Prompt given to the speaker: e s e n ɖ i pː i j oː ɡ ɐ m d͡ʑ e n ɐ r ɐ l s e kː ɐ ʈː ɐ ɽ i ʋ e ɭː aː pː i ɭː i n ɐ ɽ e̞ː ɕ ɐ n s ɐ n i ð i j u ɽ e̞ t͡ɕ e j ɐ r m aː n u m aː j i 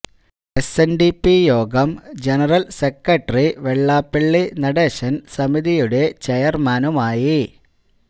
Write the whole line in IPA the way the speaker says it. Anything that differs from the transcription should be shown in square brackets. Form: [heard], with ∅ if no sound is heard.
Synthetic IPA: e s e n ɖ i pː i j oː ɡ ɐ m d͡ʑ e n ɐ r ɐ l s e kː ɐ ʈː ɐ [r] i ʋ e ɭː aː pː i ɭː i n ɐ ɽ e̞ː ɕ ɐ n s ɐ [m] i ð i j u ɽ e̞ t͡ɕ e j ɐ r m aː n u m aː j i